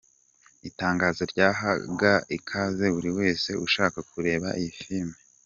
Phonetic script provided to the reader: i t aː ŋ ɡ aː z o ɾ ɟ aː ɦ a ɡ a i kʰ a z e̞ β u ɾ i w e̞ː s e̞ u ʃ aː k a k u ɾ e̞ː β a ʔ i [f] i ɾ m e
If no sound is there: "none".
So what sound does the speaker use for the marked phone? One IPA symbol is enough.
f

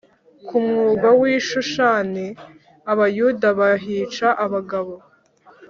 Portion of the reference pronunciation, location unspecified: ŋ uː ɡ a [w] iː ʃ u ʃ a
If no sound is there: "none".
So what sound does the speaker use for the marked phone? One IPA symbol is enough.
w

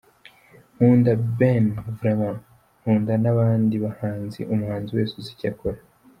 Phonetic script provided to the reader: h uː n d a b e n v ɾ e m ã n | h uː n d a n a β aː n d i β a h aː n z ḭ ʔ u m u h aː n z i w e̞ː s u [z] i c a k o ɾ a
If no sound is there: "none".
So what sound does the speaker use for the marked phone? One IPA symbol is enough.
z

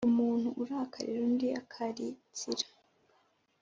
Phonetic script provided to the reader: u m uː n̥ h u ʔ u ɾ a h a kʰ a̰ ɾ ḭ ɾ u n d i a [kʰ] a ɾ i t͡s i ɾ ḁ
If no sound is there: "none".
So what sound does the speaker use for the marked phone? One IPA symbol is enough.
kʰ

